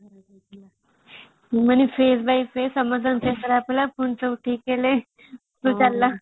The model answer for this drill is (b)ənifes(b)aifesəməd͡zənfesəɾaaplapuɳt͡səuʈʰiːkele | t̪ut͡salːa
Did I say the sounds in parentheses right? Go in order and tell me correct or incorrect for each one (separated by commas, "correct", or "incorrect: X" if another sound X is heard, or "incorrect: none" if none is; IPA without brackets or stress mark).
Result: incorrect: m, correct